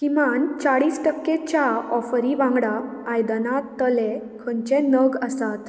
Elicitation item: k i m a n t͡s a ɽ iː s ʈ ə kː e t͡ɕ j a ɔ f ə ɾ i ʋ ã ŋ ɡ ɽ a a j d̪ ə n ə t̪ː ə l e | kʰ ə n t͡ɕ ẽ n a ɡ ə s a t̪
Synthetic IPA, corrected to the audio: k i m a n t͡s a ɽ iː s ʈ ə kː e t͡ɕ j a ɔ f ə ɾ i ʋ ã ŋ ɡ ɽ a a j d̪ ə n a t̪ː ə l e | kʰ ə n t͡ɕ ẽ n ə ɡ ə s a t̪